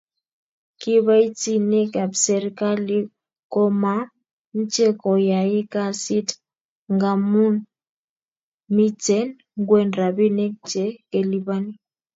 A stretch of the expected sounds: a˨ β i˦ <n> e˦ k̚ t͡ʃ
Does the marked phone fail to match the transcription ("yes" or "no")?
no